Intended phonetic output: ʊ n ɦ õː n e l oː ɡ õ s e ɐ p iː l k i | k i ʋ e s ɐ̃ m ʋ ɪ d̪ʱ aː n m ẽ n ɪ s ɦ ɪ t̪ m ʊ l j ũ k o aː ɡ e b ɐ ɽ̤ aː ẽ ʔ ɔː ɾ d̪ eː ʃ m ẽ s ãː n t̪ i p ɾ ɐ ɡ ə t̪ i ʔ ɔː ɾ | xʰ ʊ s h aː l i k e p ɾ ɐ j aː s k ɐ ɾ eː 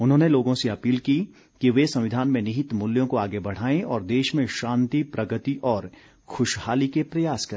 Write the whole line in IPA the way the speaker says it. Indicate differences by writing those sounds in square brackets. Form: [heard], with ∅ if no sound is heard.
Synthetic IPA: ʊ n ɦ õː n e l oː ɡ õ s e ɐ p iː l k i | k i ʋ e s ɐ̃ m ʋ ɪ d̪ʱ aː n m ẽ n ɪ [∅] ɦ ɪ t̪ m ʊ l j [õ] k o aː ɡ e b ɐ ɽ̤ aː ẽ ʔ ɔː ɾ d̪ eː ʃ m ẽ [ʃ] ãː n t̪ i p ɾ ɐ ɡ ə t̪ i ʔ ɔː ɾ | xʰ ʊ [ʃ] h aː l i k e p ɾ ɐ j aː s k ɐ ɾ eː